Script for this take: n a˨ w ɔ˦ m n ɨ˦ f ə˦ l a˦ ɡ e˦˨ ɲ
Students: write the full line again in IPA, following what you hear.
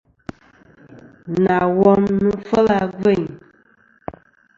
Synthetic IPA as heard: n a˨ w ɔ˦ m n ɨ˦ f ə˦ l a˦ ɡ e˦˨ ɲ